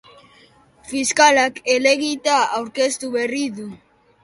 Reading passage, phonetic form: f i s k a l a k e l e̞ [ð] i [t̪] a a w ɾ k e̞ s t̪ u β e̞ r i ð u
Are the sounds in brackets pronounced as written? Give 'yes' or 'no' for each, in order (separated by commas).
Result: no, yes